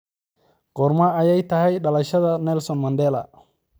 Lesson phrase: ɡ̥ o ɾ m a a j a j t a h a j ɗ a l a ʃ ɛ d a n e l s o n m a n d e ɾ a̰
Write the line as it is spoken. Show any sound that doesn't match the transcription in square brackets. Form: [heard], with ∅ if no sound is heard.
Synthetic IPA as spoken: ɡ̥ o ɾ m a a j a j t a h a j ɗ a l a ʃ [a] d a n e l s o n m a n d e [l] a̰

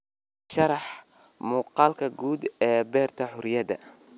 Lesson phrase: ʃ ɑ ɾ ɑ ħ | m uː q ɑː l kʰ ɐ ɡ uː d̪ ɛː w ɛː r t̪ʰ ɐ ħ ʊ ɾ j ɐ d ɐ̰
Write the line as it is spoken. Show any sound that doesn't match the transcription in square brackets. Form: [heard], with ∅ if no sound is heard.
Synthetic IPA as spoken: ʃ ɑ ɾ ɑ ħ | m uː q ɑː l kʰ ɐ ɡ uː d̪ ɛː [b] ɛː r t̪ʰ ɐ ħ ʊ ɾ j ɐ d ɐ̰

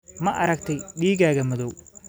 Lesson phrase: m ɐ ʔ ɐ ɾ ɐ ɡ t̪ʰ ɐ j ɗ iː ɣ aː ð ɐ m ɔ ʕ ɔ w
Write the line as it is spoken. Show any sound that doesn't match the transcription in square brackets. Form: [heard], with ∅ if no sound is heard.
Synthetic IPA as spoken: m ɐ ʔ ɐ ɾ ɐ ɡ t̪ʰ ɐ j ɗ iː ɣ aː [ɣ] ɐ m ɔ [ð] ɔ w

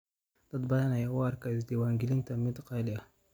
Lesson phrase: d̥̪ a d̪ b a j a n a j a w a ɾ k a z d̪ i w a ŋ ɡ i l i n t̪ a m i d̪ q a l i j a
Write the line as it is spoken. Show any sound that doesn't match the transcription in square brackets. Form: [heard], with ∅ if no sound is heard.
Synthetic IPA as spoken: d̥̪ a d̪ b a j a n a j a w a ɾ k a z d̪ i w a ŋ ɡ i l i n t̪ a m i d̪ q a l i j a

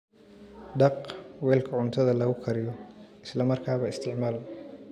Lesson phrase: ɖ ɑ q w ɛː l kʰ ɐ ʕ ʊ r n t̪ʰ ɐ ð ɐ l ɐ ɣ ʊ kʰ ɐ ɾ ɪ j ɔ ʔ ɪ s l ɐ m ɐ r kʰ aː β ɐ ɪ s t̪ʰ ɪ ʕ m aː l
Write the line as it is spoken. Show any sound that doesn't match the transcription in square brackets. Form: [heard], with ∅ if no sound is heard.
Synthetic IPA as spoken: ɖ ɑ q w ɛː l kʰ ɐ ʕ ʊ [∅] n t̪ʰ ɐ ð ɐ l ɐ ɣ ʊ kʰ ɐ ɾ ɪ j ɔ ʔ ɪ s l ɐ m ɐ r kʰ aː β ɐ ɪ s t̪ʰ ɪ ʕ m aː l

